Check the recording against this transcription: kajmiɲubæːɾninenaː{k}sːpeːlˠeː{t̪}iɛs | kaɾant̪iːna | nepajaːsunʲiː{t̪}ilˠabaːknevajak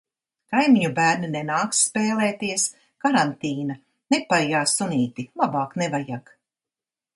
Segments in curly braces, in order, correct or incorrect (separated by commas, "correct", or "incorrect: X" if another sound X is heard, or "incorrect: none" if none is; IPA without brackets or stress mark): correct, correct, correct